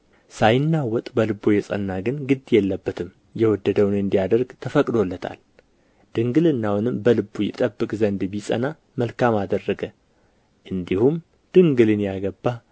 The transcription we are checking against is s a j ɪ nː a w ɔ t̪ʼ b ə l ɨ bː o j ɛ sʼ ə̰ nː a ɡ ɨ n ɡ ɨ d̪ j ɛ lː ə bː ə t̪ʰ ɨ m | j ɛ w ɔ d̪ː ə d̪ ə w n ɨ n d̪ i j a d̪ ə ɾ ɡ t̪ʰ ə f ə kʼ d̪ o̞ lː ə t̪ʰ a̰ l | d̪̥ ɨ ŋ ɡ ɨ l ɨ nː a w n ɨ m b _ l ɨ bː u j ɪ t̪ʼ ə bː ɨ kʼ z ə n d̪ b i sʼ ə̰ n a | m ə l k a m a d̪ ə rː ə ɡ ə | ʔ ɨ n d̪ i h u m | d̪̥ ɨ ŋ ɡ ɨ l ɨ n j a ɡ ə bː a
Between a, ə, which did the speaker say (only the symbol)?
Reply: ə